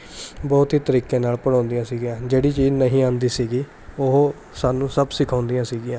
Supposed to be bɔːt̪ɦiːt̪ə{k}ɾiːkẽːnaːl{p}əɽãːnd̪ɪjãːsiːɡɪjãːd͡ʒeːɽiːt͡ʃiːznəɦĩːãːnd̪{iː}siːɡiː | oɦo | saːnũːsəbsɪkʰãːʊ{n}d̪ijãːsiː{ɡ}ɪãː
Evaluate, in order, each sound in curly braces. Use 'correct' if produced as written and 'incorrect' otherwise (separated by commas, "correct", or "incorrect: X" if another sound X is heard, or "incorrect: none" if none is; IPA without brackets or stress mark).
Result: incorrect: none, correct, correct, correct, correct